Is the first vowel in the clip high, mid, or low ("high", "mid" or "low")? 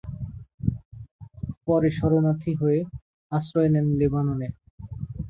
mid